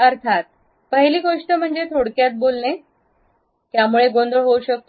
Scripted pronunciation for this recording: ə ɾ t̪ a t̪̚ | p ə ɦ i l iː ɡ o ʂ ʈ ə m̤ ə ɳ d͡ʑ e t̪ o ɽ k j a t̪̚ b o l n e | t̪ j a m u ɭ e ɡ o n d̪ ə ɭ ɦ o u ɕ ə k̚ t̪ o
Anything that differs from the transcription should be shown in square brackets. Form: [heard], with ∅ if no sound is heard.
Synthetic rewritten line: ə ɾ [t̪ʰ] a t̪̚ | p ə ɦ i l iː ɡ o ʂ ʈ ə m̤ ə ɳ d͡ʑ e [t̪ʰ] o ɽ k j a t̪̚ b o l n e | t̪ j a m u ɭ e ɡ o n d̪ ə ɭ ɦ o u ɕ ə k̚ t̪ o